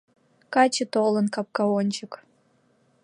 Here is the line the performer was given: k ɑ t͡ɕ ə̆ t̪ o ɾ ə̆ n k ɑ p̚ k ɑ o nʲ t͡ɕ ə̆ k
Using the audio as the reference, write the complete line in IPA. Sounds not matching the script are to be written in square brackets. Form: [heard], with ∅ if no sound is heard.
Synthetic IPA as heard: k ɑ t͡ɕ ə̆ t̪ o [l] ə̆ n k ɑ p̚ k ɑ o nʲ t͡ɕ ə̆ k